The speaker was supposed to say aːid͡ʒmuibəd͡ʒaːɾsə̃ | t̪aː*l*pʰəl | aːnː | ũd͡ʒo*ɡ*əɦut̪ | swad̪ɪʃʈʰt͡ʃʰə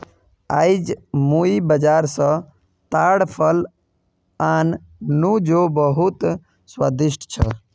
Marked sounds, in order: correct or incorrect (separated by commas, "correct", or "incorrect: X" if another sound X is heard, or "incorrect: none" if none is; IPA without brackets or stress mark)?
incorrect: ɽ, incorrect: b